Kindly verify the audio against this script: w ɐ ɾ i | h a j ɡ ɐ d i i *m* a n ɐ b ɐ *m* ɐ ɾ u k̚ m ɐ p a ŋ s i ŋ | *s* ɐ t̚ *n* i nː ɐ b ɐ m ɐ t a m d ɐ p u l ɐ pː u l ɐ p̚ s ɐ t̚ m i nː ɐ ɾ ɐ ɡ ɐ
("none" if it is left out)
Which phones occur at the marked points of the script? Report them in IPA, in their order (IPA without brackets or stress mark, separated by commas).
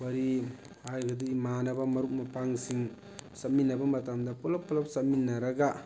m, m, s, m